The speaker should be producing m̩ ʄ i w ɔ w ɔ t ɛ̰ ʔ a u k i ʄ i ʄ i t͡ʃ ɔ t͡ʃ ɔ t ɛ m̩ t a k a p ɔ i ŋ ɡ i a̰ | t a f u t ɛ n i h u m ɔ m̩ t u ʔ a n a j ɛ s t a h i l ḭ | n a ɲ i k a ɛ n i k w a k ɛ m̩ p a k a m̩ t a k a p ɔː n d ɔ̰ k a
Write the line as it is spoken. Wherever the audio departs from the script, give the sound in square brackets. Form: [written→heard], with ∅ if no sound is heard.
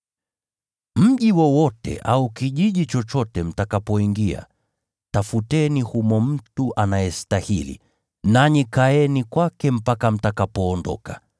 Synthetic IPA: m̩ ʄ i w ɔ w ɔ t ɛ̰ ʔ a u k i ʄ i ʄ i t͡ʃ ɔ t͡ʃ ɔ t ɛ m̩ t a k a p ɔ i ŋ ɡ i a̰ | t a f u t ɛ n i h u m ɔ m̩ t u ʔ a n a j ɛ s t a h i l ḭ | n a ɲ i k a ɛ n i k w a k ɛ m̩ p a k a m̩ t a k a p ɔː n d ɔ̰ k a